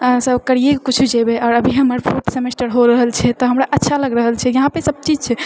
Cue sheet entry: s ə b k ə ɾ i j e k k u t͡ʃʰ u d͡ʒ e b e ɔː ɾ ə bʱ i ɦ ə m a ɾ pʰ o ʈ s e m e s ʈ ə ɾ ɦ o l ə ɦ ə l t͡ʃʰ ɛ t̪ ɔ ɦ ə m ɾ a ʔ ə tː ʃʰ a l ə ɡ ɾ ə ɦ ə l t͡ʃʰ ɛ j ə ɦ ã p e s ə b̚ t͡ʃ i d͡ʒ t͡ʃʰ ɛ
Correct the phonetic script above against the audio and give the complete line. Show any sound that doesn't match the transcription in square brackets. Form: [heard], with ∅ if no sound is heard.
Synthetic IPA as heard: s ə b k ə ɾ i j e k k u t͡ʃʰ u d͡ʒ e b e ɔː ɾ ə bʱ i ɦ ə m [ə] ɾ pʰ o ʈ s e m e s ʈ ə ɾ ɦ o [ɾ] ə ɦ ə l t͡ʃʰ ɛ t̪ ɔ ɦ ə m ɾ a ʔ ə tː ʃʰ a l ə ɡ ɾ ə ɦ ə l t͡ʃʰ ɛ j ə ɦ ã p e s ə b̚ t͡ʃ i d͡ʒ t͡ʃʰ ɛ